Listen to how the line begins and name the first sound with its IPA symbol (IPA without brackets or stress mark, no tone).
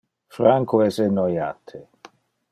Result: f